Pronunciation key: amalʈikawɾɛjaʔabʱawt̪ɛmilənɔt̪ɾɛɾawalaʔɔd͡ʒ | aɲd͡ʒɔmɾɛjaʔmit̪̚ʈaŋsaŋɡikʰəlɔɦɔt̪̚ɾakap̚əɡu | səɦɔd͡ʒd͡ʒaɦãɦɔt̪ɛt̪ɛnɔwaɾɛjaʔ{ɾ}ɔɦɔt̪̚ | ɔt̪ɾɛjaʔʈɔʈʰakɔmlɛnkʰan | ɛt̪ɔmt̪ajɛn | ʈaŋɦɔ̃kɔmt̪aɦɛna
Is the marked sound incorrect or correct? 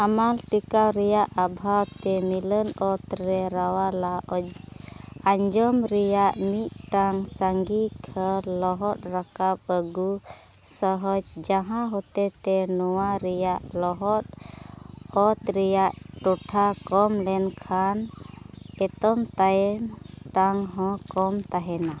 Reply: incorrect: l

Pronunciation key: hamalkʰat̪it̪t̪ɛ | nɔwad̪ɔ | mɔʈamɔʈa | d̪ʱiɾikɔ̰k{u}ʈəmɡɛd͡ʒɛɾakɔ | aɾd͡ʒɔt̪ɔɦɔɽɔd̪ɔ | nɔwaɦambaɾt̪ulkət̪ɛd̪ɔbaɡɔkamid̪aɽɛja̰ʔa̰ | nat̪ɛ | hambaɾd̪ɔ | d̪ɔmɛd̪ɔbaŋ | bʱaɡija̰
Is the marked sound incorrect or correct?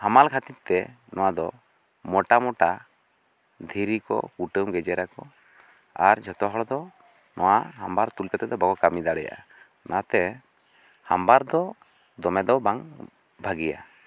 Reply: correct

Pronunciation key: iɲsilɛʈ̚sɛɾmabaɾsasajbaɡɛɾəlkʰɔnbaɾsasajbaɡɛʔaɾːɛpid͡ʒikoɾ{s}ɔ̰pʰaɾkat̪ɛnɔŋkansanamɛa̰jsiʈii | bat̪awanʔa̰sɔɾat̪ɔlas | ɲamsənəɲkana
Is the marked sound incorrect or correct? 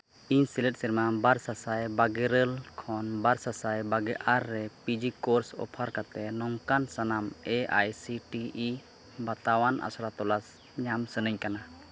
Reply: correct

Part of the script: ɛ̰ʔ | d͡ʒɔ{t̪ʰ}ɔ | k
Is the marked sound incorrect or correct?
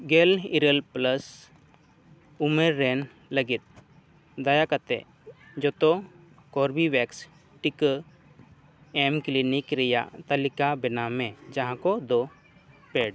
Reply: incorrect: t̪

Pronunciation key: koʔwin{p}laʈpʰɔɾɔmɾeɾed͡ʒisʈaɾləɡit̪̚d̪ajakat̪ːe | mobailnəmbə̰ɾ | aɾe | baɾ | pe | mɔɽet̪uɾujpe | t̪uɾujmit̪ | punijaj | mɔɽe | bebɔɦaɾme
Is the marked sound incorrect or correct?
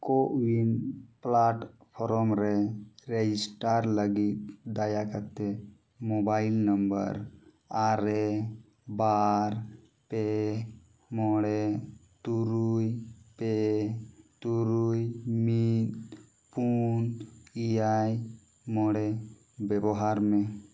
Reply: correct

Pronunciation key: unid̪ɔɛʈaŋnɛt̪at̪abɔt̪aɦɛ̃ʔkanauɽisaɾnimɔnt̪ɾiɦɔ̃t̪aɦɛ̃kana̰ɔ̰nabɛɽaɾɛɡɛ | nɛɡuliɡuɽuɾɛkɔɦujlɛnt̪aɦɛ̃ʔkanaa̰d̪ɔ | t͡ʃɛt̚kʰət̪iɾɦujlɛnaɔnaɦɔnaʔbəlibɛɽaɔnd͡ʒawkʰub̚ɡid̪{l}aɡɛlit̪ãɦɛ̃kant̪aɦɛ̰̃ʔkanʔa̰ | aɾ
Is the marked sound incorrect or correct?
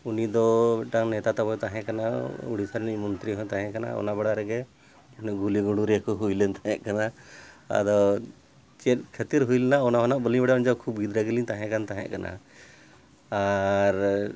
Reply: incorrect: ɾ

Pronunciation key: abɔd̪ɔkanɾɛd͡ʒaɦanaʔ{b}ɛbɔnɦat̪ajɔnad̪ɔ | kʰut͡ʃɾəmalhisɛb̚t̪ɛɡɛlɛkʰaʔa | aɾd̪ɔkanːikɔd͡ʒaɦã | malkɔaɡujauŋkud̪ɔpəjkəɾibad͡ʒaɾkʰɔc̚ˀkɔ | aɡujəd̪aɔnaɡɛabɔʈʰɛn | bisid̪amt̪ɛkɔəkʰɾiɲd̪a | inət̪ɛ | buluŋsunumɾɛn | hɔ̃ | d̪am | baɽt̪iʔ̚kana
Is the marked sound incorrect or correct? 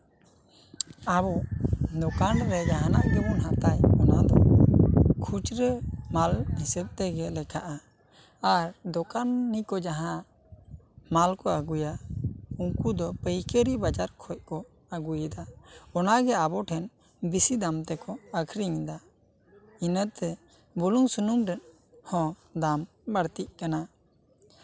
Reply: incorrect: ɡ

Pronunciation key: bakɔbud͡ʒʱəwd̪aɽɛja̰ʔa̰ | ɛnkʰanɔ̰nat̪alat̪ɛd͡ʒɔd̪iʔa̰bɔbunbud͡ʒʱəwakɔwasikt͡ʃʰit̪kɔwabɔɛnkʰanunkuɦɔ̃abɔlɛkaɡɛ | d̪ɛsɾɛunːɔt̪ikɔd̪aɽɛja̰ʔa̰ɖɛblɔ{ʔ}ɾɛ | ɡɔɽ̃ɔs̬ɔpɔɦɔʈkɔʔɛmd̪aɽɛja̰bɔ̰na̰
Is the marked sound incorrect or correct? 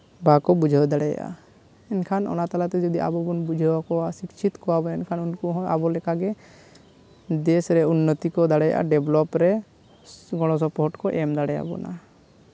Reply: incorrect: p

